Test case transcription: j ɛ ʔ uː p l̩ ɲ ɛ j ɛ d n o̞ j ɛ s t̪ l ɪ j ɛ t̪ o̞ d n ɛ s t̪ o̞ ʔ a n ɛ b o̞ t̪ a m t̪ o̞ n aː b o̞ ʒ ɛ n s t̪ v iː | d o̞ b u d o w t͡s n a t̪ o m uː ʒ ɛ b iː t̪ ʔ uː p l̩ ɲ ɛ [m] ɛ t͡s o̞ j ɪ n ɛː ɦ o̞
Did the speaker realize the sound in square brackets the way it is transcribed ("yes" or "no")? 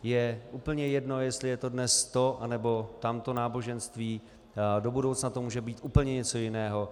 no